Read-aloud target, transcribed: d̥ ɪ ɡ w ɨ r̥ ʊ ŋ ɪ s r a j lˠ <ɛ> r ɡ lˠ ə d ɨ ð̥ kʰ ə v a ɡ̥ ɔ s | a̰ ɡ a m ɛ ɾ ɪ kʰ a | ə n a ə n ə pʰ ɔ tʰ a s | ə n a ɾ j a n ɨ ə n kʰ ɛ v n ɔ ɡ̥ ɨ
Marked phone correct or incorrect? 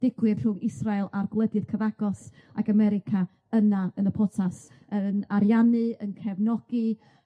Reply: incorrect: a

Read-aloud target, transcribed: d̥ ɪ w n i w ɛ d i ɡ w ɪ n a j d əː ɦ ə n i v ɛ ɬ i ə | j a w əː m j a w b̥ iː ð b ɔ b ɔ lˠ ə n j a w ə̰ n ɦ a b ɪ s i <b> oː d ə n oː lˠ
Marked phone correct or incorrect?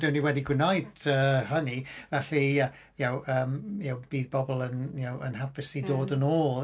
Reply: incorrect: d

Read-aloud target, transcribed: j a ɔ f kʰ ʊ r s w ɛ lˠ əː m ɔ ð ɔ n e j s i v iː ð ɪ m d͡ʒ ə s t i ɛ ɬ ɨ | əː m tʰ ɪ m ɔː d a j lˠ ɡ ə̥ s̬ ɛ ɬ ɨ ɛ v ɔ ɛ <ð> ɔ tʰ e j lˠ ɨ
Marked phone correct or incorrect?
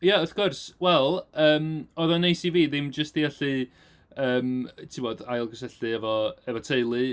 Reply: incorrect: v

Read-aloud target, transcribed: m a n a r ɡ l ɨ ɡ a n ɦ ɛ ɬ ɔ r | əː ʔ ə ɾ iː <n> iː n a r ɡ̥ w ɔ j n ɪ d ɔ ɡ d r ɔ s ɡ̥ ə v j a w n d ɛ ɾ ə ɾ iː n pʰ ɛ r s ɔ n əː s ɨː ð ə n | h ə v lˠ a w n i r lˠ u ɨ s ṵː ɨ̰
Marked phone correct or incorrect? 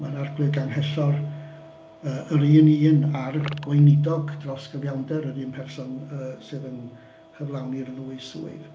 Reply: correct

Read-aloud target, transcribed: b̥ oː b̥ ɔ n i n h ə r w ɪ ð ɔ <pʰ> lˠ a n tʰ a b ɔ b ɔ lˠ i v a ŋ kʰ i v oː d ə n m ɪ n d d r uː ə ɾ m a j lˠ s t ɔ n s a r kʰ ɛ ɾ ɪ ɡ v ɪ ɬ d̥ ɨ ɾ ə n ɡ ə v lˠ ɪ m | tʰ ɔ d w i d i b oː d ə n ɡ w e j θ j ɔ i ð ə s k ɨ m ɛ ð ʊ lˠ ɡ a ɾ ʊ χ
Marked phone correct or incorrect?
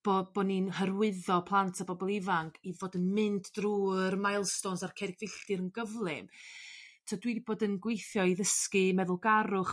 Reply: correct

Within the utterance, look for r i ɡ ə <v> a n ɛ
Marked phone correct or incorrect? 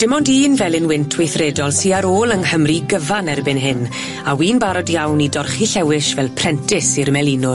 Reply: correct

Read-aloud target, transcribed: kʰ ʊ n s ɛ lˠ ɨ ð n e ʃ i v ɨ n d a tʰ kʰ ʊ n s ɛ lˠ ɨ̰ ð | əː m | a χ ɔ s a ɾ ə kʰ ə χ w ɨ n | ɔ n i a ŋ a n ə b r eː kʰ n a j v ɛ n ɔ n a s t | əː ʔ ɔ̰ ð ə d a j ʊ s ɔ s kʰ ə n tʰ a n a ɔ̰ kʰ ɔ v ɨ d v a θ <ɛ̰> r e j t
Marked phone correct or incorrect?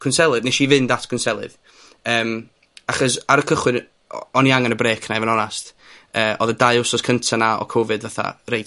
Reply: incorrect: a̰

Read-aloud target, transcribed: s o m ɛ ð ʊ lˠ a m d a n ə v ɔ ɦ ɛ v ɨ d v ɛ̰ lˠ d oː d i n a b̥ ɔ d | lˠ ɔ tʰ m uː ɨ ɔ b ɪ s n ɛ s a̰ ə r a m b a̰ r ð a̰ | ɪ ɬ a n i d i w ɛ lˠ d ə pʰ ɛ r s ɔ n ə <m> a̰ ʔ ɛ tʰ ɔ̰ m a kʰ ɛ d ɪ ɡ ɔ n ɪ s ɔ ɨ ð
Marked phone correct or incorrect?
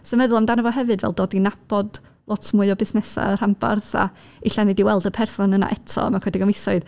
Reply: incorrect: n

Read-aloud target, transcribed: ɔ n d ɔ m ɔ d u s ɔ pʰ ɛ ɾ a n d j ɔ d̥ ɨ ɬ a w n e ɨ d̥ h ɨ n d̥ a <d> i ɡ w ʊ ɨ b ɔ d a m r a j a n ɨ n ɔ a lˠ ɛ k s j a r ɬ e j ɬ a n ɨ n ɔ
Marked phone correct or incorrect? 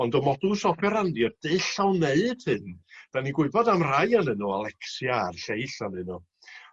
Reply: incorrect: n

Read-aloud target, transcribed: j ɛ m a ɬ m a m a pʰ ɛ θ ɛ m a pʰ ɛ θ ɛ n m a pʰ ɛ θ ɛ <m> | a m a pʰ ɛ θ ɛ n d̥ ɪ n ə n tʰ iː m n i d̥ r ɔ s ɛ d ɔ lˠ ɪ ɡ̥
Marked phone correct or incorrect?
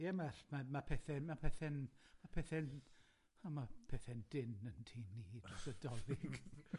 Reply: incorrect: n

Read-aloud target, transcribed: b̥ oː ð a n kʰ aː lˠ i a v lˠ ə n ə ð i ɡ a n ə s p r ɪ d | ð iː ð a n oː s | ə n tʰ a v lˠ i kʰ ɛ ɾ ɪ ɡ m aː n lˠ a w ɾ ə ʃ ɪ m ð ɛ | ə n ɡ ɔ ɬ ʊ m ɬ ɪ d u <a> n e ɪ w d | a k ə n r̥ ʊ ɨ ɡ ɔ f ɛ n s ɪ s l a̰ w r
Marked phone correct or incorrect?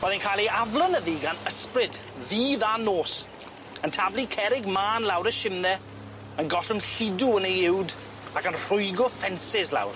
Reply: incorrect: ə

